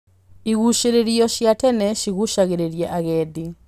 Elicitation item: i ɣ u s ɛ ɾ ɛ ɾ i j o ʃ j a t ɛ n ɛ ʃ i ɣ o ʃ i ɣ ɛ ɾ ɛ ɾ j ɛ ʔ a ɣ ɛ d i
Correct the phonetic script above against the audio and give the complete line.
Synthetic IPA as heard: i ɣ u ʃ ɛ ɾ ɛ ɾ i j ɔ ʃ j a t ɛ n ɛ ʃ i ɣ u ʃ a ɣ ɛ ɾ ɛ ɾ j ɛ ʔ a ɣ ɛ d i